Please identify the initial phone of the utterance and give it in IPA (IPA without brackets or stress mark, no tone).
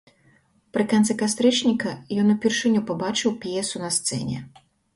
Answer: p